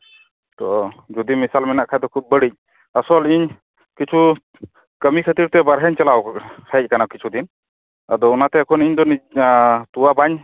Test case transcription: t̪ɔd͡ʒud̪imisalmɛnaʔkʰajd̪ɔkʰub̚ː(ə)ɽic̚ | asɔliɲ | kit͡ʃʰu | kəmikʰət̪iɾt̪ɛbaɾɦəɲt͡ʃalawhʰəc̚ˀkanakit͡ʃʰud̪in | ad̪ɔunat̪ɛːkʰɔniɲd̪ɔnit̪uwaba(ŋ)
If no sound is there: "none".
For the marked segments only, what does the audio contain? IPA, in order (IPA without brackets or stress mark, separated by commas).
ə, ɲ